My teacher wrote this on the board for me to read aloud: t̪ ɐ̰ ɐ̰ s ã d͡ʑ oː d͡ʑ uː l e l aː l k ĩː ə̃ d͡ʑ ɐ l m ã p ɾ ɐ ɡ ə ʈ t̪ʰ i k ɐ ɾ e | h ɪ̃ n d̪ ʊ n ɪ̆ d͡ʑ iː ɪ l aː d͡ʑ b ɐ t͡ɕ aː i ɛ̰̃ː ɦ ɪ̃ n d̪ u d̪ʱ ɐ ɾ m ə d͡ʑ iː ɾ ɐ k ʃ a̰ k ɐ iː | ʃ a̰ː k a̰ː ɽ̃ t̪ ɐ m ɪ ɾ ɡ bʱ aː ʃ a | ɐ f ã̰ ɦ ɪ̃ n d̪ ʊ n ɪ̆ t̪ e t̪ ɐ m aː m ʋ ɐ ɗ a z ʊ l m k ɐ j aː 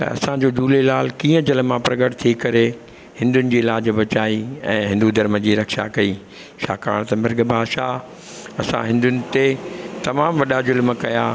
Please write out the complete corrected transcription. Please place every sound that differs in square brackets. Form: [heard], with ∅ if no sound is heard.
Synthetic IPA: t̪ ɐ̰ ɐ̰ s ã d͡ʑ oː d͡ʑ uː l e l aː l k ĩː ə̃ d͡ʑ ɐ l m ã p ɾ ɐ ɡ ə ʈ t̪ʰ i k ɐ ɾ e | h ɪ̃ n d̪ ʊ n ɪ̆ d͡ʑ iː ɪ l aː d͡ʑ b ɐ t͡ɕ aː i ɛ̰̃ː ɦ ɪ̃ n d̪ u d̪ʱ ɐ ɾ m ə d͡ʑ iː ɾ ɐ k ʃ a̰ k ɐ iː | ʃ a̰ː k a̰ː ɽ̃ t̪ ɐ m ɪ ɾ ɡ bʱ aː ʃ a | ɐ [s] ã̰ ɦ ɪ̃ n d̪ ʊ n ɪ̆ t̪ e t̪ ɐ m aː m ʋ ɐ ɗ a z ʊ l m k ɐ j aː